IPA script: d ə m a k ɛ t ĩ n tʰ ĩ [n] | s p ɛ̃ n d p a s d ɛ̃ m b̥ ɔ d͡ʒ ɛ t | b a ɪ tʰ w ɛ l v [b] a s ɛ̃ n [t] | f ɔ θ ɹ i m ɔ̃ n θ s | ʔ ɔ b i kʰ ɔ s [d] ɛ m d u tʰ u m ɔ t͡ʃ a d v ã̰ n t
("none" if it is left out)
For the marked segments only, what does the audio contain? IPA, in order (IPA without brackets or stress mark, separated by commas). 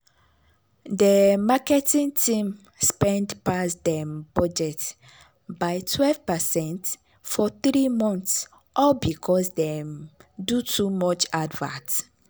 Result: m, p, t, d